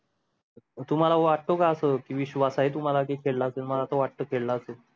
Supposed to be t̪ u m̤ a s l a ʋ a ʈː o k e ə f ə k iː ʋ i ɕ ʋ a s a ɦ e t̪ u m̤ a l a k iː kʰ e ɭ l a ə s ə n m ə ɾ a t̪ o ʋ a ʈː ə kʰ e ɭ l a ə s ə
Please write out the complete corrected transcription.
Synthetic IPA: t̪ u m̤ a l a ʋ a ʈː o k a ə s ə k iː ʋ i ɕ ʋ a s a ɦ e t̪ u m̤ a l a k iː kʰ e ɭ l a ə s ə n m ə l a t̪ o ʋ a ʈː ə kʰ e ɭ l a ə s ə

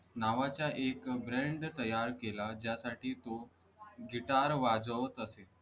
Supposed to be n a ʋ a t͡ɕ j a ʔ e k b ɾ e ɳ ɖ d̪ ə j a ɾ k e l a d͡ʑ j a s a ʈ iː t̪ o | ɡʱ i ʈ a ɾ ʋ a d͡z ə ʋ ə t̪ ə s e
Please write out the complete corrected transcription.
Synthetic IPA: n a ʋ a t͡ɕ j a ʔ e k b ɾ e ɳ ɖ t̪ ə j a ɾ k e l a d͡ʑ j a s a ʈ iː t̪ o | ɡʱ i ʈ a ɾ ʋ a d͡z ə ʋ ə t̪ ə s e

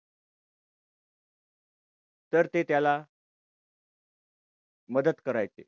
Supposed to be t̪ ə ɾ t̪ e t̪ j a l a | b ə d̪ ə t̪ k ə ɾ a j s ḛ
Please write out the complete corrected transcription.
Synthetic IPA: t̪ ə ɾ t̪ e t̪ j a l a | m ə d̪ ə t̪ k ə ɾ a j t͡s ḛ

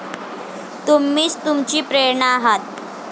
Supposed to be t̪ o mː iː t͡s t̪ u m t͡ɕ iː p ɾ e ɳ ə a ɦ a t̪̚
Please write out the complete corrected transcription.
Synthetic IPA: t̪ u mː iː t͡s t̪ u m t͡ɕ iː p ɾ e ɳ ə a ɦ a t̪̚

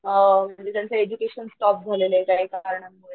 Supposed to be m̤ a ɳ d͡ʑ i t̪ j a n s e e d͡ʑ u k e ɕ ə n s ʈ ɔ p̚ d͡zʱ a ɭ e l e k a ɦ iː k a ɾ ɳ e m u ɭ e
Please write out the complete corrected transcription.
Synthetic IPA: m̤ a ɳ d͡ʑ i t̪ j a n t͡s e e d͡ʑ u k e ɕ ə n s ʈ ɔ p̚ d͡zʱ a l e l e k a ɦ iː k a ɾ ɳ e m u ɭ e

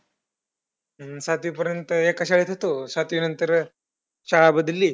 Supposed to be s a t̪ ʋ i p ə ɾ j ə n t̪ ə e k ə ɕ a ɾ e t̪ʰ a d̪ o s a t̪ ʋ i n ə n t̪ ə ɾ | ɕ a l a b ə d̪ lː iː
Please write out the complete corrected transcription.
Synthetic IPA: s a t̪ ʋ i p ə ɾ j ə n t̪ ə e k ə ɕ a ɭ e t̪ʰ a t̪ o s a t̪ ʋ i n ə n t̪ ə ɾ | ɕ a ɭ a b ə d̪ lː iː

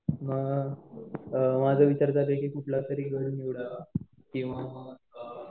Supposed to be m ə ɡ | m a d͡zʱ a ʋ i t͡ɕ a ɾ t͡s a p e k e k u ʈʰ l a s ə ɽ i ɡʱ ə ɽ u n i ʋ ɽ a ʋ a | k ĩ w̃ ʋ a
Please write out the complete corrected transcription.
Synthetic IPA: m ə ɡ | m a d͡zʱ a ʋ i t͡ɕ a ɾ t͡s a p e k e k u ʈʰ l a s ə ɾ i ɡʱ ə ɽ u n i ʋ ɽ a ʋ a | k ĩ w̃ ʋ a

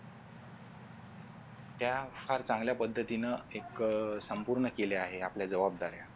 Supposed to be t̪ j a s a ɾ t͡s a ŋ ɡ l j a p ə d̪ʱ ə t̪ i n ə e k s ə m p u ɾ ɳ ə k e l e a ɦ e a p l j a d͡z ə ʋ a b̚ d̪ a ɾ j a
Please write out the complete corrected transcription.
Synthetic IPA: t̪ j a f a ɾ t͡s a ŋ ɡ l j a p ə d̪ʱː ə t̪ i n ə e k s ə m p u ɾ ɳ ə k e l e a ɦ e a p l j a d͡z ə ʋ a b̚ d̪ a ɾ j a

